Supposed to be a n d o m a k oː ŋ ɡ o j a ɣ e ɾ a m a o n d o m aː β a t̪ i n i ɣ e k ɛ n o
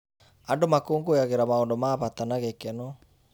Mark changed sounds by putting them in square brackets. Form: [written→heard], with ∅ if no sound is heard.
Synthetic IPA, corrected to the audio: a n d o m a k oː ŋ ɡ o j a ɣ e ɾ a m a o n d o m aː β a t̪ [i→a] n [i→a] ɣ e k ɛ n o